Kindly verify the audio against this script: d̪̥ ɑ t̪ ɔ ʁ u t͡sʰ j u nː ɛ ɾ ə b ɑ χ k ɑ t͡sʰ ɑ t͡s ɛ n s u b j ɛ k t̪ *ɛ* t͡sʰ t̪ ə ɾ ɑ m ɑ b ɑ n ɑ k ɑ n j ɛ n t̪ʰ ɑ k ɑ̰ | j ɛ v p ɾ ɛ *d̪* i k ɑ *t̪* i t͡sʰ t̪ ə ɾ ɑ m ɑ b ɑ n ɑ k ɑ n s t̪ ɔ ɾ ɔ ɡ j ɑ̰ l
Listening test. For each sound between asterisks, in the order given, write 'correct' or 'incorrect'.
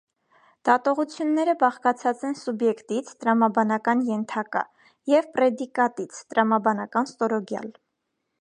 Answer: incorrect, correct, correct

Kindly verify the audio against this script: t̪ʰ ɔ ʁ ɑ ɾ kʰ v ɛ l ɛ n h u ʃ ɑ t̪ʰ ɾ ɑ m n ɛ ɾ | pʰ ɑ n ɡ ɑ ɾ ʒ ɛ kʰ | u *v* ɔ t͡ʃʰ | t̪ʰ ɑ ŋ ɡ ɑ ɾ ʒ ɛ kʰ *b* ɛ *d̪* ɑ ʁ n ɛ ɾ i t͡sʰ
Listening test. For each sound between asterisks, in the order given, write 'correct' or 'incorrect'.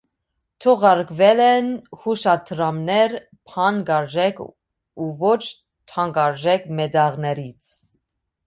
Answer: correct, incorrect, correct

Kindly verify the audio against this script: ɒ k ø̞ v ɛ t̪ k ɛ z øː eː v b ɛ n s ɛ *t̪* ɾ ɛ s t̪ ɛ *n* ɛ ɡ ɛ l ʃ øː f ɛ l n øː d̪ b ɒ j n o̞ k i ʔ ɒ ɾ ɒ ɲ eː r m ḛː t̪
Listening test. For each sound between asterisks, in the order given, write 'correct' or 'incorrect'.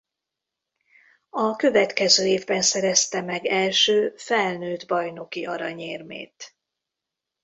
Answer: incorrect, incorrect

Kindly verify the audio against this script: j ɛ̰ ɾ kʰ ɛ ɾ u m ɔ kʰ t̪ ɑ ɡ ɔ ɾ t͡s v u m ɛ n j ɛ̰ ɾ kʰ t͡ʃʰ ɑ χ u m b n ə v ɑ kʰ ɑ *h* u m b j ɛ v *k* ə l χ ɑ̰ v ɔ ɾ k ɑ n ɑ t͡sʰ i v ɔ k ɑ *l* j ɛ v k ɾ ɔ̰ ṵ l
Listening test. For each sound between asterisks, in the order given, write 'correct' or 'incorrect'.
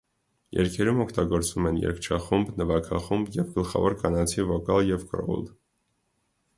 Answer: incorrect, incorrect, correct

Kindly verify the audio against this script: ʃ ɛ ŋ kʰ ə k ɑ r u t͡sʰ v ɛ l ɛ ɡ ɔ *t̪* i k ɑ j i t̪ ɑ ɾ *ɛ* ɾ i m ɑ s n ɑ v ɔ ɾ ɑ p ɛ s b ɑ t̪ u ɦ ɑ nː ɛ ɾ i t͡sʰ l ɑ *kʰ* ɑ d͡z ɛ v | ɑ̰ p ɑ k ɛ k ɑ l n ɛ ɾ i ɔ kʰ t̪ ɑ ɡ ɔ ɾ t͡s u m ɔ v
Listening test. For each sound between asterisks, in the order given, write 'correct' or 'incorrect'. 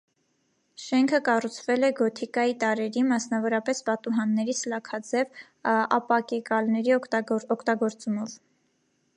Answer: incorrect, correct, correct

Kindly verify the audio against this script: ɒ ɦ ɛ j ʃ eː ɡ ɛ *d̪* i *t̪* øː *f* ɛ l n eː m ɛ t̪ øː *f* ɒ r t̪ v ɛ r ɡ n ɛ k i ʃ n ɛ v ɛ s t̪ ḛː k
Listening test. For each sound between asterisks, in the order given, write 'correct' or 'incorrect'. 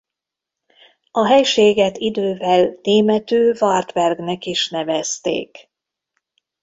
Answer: incorrect, incorrect, incorrect, incorrect

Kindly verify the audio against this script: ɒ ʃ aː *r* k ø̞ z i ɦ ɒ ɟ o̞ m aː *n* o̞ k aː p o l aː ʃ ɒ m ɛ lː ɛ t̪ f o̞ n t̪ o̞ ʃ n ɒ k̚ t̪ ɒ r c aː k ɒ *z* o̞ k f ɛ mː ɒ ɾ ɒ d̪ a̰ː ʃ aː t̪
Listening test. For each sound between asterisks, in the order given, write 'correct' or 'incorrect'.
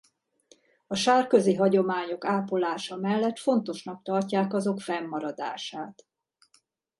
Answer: correct, incorrect, correct

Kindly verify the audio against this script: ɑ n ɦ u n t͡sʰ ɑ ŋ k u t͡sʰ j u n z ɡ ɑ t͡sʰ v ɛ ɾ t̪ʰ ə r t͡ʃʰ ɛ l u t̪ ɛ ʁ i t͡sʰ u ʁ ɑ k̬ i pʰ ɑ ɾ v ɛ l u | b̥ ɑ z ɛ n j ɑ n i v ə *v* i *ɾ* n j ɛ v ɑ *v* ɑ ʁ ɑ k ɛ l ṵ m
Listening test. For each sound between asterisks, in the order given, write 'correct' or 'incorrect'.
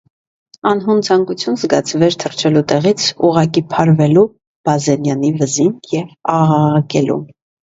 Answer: incorrect, incorrect, incorrect

